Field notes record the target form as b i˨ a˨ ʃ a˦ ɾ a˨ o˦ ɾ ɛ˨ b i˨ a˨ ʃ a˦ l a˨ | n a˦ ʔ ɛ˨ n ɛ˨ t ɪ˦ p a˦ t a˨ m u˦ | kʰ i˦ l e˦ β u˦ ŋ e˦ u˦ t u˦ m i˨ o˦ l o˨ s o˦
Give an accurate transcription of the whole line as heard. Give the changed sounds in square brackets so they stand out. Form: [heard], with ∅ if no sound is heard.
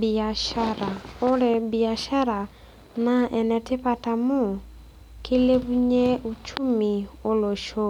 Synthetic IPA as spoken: b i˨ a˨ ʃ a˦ ɾ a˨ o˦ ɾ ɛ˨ b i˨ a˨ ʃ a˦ [ɾ] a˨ | n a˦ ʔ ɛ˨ n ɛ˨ t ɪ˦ p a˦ t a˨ m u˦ | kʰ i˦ l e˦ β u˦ [ɲ] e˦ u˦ [t͡ʃ] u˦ m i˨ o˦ l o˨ [ʃ] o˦